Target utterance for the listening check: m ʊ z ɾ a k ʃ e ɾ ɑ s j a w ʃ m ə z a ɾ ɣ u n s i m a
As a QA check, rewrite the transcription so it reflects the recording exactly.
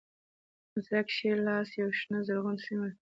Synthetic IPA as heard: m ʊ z ɾ a k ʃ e l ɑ s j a w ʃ n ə z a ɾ ɣ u n s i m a